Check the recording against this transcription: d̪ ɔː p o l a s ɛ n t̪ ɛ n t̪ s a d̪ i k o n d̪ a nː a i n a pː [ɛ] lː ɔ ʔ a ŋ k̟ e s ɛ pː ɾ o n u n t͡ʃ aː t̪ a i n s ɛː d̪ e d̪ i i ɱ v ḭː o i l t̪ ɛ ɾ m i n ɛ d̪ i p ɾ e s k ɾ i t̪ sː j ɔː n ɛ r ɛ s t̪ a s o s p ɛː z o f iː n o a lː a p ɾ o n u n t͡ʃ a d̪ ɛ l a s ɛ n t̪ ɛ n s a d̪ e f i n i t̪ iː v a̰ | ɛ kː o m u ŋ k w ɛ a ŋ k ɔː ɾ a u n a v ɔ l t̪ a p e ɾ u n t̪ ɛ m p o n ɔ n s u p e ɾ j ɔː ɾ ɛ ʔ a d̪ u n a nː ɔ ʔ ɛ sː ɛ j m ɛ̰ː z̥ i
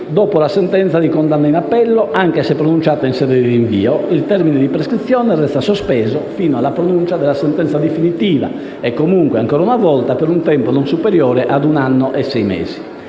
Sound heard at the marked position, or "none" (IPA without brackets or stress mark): ɛ